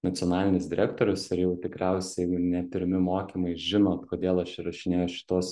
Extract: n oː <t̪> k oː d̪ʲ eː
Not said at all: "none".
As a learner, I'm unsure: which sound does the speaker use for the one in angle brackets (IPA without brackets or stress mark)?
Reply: t̪